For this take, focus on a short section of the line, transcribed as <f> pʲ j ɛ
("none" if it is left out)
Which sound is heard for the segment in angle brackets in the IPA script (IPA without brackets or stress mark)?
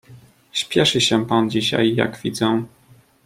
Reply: ɕ